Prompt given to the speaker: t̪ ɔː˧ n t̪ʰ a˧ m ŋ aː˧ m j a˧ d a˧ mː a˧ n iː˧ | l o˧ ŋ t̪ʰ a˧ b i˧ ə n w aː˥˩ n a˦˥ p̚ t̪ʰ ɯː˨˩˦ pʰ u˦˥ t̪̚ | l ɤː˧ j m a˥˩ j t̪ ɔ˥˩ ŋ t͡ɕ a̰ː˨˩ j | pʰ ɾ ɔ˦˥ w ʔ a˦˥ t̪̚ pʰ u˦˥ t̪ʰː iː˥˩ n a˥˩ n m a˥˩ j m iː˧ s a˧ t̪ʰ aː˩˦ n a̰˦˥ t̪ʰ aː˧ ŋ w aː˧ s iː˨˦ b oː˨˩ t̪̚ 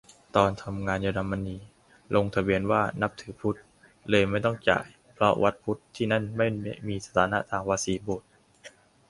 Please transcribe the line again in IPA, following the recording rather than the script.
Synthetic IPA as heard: t̪ ɔː˧ n t̪ʰ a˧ m ŋ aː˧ n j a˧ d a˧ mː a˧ n iː˧ | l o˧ ŋ t̪ʰ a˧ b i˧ ə n w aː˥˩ n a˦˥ p̚ t̪ʰ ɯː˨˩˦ pʰ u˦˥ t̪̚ | l ɤː˧ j m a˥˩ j t̪ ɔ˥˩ ŋ t͡ɕ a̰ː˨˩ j | pʰ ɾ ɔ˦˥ w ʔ a˦˥ t̪̚ pʰ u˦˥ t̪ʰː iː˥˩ n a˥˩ n m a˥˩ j m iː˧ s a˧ t̪ʰ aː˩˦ n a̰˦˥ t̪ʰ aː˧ ŋ w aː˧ s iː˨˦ b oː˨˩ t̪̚